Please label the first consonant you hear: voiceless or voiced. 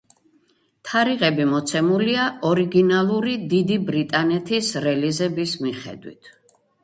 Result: voiceless